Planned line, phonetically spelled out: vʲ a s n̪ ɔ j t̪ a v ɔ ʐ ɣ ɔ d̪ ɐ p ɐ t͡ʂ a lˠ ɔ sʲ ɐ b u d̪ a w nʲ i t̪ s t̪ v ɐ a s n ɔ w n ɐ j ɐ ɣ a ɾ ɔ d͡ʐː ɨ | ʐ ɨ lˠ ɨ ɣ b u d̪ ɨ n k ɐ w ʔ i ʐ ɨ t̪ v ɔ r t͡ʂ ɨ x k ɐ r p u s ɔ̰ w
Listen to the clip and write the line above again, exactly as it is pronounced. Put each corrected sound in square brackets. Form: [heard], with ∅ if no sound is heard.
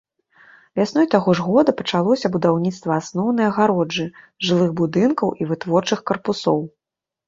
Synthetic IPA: vʲ a s n̪ ɔ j t̪ a [ɣ] ɔ ʐ ɣ ɔ d̪ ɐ p ɐ t͡ʂ a lˠ ɔ sʲ ɐ b u d̪ a w nʲ i t̪ s t̪ v ɐ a s n ɔ w n ɐ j ɐ ɣ a ɾ ɔ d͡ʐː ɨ | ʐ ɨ lˠ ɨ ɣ b u d̪ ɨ n k ɐ w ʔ i [v] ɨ t̪ v ɔ r t͡ʂ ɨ x k ɐ r p u s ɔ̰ w